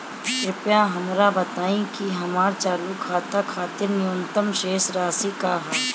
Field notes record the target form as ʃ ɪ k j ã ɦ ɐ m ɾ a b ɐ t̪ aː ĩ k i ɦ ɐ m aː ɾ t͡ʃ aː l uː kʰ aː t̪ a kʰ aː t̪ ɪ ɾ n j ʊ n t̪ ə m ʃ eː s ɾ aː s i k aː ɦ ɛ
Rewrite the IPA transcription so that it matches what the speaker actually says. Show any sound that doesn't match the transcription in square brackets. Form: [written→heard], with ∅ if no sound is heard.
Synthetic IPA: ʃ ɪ [k→p] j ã ɦ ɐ m ɾ a b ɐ t̪ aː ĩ k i ɦ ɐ m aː ɾ t͡ʃ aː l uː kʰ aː t̪ a kʰ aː t̪ ɪ ɾ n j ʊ n t̪ ə m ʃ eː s ɾ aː s i k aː ɦ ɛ